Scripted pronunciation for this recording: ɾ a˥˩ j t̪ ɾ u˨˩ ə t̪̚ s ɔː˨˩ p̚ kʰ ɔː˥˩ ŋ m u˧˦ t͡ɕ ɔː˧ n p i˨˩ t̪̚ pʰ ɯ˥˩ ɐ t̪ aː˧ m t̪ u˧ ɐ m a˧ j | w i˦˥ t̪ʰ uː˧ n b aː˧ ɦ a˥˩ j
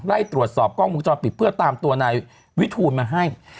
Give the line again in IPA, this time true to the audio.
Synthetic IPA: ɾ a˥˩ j t̪ ɾ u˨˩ ə t̪̚ s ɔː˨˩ p̚ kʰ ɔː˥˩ ŋ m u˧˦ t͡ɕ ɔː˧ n p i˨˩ t̪̚ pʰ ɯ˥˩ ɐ t̪ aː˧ m t̪ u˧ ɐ n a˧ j | w i˦˥ t̪ʰ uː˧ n m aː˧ ɦ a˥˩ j

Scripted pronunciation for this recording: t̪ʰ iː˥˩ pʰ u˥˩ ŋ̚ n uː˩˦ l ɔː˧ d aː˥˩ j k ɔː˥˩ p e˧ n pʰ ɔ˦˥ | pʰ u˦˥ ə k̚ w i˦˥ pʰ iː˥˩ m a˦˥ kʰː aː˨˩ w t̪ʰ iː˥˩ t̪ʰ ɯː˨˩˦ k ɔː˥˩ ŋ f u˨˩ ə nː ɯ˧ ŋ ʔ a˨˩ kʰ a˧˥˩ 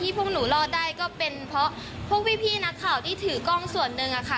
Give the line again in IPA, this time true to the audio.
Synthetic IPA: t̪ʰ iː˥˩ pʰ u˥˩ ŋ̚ n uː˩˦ l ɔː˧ d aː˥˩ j k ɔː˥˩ p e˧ n pʰ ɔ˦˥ | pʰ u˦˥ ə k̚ w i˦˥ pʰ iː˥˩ n a˦˥ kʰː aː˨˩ w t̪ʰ iː˥˩ t̪ʰ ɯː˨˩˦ k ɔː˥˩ ŋ s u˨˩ ə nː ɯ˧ ŋ ʔ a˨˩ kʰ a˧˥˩

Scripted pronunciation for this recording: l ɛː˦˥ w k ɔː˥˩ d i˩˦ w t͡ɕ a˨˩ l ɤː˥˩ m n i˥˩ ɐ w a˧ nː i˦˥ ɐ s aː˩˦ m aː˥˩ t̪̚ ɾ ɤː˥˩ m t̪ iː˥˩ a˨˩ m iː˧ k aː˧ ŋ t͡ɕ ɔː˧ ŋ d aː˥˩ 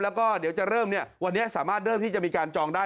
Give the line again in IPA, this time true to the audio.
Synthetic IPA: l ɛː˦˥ w k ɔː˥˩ d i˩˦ w t͡ɕ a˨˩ ɾ ɤː˥˩ m n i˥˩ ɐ w a˧ nː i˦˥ ɐ s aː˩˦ m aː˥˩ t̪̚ ɾ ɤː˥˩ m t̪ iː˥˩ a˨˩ m iː˧ k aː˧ n t͡ɕ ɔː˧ ŋ d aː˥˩

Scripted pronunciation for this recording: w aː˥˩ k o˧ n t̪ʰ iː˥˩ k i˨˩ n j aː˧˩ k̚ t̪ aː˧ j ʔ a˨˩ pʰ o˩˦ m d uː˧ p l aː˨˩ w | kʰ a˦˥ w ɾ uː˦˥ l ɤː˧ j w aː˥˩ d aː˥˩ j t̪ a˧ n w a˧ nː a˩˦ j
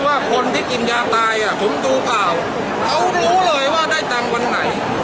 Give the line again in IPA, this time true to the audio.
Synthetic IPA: w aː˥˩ kʰ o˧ n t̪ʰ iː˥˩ k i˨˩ n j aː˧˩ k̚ t̪ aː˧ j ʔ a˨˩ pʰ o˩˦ m d uː˧ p l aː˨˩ w | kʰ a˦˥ w ɾ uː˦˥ l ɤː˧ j w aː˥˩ d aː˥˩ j t̪ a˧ ŋ w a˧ nː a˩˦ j

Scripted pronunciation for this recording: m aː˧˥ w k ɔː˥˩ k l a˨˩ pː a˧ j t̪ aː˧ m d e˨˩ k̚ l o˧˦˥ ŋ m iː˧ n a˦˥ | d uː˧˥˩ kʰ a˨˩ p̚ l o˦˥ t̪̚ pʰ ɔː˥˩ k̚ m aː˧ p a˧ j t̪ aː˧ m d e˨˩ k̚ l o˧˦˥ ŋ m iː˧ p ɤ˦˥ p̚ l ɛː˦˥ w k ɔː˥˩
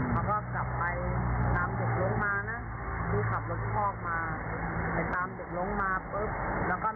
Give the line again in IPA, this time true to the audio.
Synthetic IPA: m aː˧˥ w k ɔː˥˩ k l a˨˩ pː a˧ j t̪ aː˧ m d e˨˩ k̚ l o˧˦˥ ŋ m aː˧ n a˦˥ | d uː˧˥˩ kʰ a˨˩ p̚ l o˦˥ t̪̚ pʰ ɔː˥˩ k̚ m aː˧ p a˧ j t̪ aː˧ m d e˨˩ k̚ l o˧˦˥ ŋ m aː˧ p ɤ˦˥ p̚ l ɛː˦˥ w k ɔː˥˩

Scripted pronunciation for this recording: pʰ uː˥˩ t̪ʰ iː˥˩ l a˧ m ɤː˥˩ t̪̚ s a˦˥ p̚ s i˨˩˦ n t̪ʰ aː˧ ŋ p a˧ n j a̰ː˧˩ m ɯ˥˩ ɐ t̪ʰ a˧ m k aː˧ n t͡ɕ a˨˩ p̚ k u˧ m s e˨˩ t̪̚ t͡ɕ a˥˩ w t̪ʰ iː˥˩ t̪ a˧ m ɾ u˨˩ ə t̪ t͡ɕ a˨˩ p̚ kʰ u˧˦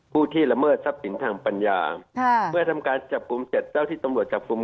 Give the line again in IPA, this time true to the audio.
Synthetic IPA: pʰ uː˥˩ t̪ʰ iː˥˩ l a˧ m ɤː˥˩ t̪̚ s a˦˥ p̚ s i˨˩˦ n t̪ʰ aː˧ ŋ p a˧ n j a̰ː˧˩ m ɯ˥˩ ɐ t̪ʰ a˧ m k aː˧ n t͡ɕ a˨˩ p̚ k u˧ m s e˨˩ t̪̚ t͡ɕ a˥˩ w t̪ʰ iː˥˩ t̪ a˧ m ɾ u˨˩ ə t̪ t͡ɕ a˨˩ p̚ k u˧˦

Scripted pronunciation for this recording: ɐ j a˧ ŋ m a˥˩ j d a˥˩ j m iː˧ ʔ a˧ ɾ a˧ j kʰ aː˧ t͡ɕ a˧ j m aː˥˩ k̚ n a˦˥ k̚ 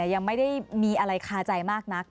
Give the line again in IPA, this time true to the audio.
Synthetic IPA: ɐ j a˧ ŋ m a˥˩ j d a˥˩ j m iː˧ ʔ a˧ ɾ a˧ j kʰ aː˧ t͡ɕ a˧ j m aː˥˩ k̚ n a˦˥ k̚

